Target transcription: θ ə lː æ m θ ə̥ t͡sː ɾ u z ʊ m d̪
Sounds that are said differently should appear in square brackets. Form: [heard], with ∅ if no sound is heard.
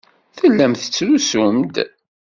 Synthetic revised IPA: θ ə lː æ m θ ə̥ t͡sː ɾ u [s] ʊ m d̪